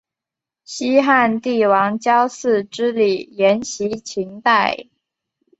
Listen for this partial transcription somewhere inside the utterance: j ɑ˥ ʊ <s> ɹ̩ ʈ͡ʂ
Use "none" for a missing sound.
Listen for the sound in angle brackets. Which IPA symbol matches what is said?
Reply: s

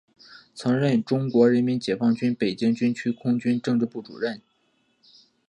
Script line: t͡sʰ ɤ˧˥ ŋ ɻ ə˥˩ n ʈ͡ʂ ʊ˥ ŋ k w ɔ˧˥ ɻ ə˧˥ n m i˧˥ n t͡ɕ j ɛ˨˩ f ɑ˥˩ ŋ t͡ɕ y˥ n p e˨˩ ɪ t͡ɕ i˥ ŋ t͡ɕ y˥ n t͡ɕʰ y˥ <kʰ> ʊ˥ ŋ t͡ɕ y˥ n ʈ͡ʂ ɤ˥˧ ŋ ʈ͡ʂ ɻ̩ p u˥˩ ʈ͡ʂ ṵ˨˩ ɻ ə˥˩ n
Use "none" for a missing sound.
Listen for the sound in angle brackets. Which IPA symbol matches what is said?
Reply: kʰ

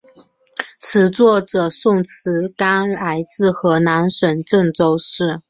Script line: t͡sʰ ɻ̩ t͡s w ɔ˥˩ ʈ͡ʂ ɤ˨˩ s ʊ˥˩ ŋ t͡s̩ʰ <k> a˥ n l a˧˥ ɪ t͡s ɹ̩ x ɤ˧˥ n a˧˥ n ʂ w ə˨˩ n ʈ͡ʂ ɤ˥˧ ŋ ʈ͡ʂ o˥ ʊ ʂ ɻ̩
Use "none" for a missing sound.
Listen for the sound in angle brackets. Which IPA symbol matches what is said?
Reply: k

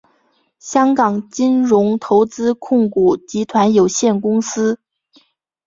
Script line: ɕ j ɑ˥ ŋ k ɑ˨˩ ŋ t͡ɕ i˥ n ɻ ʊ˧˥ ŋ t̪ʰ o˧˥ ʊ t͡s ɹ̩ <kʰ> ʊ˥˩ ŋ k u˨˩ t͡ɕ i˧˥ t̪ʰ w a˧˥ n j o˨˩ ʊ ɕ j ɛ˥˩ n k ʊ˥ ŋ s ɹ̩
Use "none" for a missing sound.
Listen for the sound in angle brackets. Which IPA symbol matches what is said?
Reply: kʰ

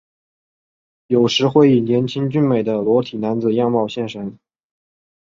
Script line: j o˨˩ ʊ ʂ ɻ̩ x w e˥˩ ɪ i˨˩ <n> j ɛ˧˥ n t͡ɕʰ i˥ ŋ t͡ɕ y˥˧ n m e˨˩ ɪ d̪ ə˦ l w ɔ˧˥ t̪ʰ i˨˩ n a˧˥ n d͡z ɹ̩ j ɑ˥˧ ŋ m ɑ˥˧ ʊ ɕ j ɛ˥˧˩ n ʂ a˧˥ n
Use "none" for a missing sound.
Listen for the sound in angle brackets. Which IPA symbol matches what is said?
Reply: n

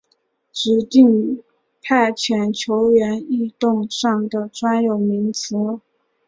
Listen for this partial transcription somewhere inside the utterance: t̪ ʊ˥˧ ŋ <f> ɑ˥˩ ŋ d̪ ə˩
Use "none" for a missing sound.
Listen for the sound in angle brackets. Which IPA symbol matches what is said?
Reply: ʂ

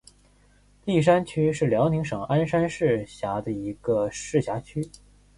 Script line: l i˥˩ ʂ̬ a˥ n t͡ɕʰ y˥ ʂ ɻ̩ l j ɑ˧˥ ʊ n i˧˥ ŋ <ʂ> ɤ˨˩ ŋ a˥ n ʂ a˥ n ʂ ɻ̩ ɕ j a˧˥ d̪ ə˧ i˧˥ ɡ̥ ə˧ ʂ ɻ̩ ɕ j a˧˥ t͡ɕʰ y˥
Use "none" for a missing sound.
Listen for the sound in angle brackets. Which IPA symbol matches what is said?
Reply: ʂ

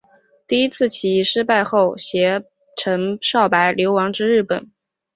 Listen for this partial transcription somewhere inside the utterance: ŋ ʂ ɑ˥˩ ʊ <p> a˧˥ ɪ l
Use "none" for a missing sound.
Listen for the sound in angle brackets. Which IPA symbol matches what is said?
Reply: p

